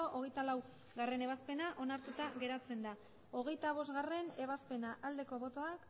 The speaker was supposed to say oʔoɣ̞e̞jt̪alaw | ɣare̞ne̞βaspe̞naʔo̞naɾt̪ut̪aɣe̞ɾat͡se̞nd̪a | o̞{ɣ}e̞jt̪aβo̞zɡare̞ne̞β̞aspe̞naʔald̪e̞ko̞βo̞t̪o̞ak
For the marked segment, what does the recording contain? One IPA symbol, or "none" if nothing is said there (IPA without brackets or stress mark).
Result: ɣ